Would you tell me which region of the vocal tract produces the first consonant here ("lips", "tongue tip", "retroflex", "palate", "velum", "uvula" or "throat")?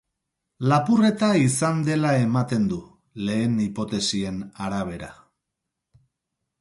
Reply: tongue tip